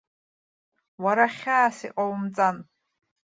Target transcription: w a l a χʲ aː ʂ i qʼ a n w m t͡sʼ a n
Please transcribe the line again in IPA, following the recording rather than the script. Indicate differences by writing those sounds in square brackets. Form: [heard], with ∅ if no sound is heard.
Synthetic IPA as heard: w a [ɾ] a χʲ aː [s] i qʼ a [∅] w m t͡sʼ a n